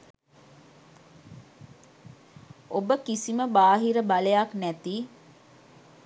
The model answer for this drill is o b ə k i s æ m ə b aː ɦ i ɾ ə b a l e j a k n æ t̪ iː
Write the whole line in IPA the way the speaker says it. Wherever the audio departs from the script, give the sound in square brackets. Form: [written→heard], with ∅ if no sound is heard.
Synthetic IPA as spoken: o b ə k i s [æ→i] m ə b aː ɦ i ɾ ə b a l e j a k n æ t̪ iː